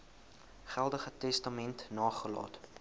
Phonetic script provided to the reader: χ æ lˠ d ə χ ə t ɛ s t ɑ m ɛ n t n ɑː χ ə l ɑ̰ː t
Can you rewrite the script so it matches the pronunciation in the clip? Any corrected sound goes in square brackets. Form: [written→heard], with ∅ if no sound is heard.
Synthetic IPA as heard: χ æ lˠ d ə χ ə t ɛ s t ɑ m ɛ n t n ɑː χ ə l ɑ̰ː t